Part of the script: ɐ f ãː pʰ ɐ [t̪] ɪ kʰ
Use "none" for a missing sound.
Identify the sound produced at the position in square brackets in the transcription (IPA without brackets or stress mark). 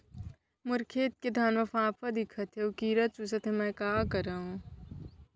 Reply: d̪